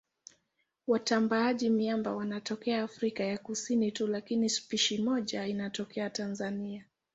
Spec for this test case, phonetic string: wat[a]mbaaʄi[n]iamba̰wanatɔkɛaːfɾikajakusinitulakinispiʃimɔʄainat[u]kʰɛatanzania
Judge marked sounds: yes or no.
yes, no, no

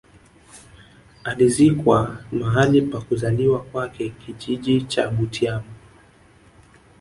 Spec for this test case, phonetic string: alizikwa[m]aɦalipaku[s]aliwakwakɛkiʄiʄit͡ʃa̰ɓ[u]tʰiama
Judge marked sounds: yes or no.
yes, no, yes

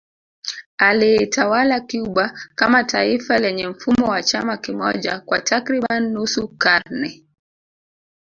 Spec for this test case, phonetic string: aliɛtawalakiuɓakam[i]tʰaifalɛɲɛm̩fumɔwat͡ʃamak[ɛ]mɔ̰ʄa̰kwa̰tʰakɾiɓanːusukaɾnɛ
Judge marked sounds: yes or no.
no, no

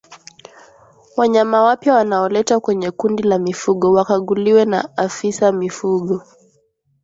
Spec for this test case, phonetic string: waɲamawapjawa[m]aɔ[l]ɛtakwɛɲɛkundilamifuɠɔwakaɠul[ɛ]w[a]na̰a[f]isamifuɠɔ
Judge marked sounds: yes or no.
no, yes, no, no, yes

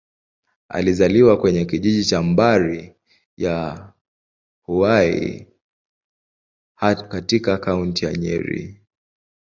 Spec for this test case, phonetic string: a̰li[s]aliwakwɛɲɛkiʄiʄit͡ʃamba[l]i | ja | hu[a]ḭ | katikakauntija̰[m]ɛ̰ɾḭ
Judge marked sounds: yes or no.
no, no, yes, no

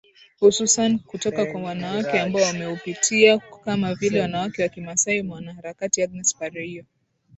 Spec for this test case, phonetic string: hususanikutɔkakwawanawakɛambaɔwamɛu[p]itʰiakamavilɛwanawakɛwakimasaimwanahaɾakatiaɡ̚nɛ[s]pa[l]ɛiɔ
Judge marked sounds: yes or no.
yes, yes, no

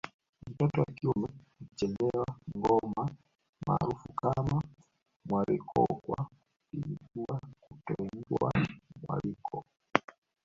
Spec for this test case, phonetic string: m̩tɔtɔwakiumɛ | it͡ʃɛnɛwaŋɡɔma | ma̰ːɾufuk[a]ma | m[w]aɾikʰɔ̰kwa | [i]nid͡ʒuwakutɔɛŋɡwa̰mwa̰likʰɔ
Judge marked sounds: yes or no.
yes, yes, yes

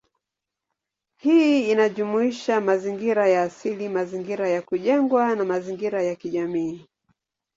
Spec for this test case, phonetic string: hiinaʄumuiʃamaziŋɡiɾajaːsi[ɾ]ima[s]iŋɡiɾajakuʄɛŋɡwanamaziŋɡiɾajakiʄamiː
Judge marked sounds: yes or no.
no, no

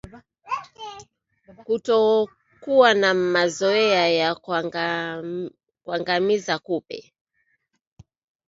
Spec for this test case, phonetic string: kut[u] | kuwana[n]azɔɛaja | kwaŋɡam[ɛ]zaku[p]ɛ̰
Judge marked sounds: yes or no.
no, no, no, yes

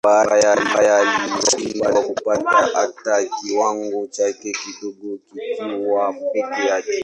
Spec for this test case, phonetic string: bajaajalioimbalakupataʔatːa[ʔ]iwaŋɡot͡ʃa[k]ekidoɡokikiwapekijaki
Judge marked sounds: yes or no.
no, yes

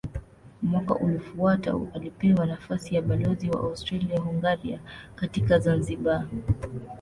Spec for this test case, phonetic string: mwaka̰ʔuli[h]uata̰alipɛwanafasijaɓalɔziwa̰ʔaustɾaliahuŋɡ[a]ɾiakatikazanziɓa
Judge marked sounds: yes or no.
no, yes

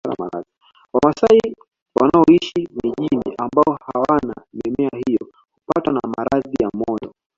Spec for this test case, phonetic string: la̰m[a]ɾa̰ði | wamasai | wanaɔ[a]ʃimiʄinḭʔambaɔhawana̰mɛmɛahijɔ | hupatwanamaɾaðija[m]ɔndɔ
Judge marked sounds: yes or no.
yes, no, yes

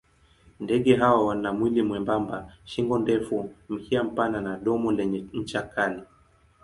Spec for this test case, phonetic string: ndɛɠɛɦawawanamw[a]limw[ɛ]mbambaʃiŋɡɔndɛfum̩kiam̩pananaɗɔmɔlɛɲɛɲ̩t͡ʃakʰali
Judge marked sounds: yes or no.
no, yes

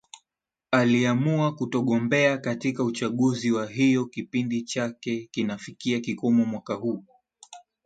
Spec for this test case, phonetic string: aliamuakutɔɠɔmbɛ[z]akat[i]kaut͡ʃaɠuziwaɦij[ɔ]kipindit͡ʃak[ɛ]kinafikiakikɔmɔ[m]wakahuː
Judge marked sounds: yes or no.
no, yes, yes, yes, yes

